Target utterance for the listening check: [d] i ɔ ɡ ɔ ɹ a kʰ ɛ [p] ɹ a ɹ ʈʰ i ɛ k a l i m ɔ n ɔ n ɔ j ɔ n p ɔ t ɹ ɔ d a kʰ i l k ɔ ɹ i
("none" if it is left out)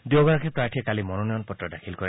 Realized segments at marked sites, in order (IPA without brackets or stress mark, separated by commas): d, p